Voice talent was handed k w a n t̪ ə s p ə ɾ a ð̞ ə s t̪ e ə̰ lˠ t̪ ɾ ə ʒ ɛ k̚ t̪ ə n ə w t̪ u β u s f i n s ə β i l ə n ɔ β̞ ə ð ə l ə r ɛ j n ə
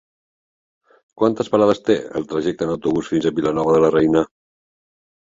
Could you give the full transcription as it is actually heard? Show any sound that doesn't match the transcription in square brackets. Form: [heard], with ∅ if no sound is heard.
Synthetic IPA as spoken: k w a n t̪ ə s p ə ɾ a ð̞ ə s t̪ e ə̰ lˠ t̪ ɾ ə ʒ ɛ k̚ t̪ ə n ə w t̪ u β u s f i n [z] ə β i l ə n ɔ β̞ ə ð ə l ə r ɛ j n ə